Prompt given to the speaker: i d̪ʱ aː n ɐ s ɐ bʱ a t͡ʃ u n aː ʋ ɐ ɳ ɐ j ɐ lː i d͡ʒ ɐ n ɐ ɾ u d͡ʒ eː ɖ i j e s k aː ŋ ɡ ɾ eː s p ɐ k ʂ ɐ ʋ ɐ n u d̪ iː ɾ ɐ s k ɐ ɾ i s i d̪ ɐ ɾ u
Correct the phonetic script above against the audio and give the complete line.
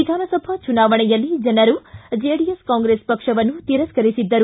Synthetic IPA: i d̪ʱ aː n ɐ s ɐ bʱ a t͡ʃ u n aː ʋ ɐ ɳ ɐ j ɐ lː i d͡ʒ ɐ n ɐ ɾ u d͡ʒ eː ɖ i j e s k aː ŋ ɡ ɾ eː s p ɐ k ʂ ɐ ʋ ɐ n u t̪ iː ɾ ɐ s k ɐ ɾ i s i d̪ː ɐ ɾ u